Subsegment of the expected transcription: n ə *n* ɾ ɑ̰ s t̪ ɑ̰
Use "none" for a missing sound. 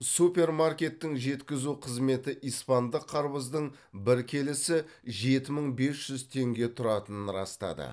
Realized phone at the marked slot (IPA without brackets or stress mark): n